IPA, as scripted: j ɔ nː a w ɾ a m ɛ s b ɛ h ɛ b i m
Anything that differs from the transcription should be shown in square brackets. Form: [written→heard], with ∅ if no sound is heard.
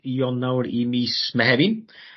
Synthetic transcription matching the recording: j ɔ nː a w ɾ [a→i] m [ɛ→i] s [b→m] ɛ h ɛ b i [m→n]

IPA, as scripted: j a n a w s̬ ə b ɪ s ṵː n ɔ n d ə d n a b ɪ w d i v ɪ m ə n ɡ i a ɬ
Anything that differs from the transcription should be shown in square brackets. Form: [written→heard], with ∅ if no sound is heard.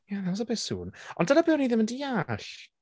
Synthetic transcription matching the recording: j a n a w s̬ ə b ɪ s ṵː n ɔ n d ə [d→∅] n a b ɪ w [d→n] i [v→ð] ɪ m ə n [ɡ→d] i a ɬ

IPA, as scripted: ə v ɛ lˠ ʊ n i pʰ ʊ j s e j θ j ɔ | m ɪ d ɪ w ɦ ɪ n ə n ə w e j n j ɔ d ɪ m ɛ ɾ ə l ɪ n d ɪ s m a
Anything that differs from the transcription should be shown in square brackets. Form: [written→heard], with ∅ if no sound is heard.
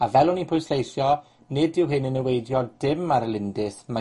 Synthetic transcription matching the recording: [ə→a] v ɛ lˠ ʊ n i pʰ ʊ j s e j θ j ɔ | [m→n] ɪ d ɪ w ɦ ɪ n ə n ə w e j [n→d] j ɔ d ɪ m [ɛ→a] ɾ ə l ɪ n d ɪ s m a

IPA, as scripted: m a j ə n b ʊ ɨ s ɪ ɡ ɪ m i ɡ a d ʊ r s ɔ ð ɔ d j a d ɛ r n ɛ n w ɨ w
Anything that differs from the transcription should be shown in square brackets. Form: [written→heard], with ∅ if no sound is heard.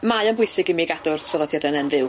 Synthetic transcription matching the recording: m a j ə n b ʊ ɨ s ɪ ɡ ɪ m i ɡ a d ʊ r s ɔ ð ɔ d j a d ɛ [r→∅] n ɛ n [w→v] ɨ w

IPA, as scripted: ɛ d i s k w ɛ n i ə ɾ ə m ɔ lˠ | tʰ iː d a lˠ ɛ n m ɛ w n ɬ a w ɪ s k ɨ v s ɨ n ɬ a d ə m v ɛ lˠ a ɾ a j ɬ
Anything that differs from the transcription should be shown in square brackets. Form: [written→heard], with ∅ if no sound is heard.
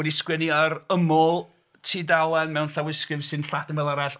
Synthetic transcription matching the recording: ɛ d i s k w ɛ n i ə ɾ ə m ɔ lˠ | tʰ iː d a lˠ ɛ n m ɛ w n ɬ a w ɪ s k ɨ v s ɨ n ɬ a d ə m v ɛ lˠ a ɾ a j ɬ

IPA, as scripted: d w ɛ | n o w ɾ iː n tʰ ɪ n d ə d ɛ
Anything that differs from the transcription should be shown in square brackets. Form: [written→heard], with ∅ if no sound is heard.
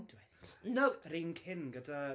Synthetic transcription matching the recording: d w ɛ | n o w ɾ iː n [tʰ→kʰ] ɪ n [d→ɡ] ə d [ɛ→a]

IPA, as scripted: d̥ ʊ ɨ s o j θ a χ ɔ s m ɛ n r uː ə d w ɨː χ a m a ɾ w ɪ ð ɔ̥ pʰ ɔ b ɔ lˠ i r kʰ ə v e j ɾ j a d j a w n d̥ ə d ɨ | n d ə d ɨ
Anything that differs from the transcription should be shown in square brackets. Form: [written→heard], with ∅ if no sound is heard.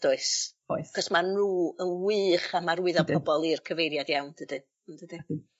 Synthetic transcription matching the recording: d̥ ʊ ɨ s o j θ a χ ɔ s m [ɛ→a] n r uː ə [d→n] w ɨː χ a m a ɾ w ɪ ð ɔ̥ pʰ ɔ b ɔ lˠ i r kʰ ə v e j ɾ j a d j a w n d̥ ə d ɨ | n d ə d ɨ

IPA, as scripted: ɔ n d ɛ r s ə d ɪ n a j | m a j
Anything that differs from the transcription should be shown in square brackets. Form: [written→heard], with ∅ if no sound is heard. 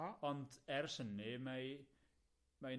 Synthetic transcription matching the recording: ɔ n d ɛ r s ə [d→n] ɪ [n→m] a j | m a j

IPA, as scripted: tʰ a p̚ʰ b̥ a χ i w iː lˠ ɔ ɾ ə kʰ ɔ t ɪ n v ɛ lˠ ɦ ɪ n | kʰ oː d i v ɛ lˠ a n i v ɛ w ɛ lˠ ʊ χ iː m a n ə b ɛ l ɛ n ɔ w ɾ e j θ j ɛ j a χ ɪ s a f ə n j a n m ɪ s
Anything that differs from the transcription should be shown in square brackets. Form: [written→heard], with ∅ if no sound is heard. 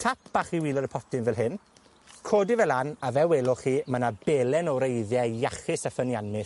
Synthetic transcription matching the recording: tʰ a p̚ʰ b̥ a χ i w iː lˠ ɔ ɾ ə [kʰ→pʰ] ɔ t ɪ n v ɛ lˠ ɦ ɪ n | kʰ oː d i v ɛ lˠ a n [i→a] v ɛ w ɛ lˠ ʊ χ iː m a n [ə→a] b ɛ l ɛ n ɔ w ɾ e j [θ→ð] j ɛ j a χ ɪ s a f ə n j a n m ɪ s

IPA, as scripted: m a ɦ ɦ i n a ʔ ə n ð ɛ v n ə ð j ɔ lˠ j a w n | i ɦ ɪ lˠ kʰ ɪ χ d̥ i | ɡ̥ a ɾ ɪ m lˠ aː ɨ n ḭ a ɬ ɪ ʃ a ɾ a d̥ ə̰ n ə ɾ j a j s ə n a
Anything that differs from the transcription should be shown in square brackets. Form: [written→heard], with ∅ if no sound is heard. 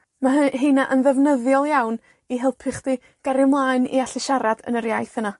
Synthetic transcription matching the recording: m a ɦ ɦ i n a ʔ ə n ð ɛ v n ə ð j ɔ lˠ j a w n | i ɦ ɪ lˠ [kʰ→pʰ] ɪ χ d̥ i | ɡ̥ a ɾ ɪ m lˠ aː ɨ n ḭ a ɬ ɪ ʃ a ɾ a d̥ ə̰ n ə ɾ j a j [s→θ] ə n a

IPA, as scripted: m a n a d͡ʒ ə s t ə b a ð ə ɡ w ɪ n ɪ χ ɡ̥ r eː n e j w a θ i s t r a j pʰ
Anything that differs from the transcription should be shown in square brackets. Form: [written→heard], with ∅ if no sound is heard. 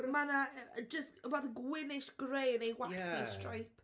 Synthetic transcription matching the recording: m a n a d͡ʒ ə s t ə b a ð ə ɡ w ɪ n ɪ [χ→ʃ] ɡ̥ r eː n e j w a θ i s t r a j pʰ

